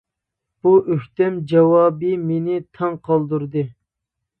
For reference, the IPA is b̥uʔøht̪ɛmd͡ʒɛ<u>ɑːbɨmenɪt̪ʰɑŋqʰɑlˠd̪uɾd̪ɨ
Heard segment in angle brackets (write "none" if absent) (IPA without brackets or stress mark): w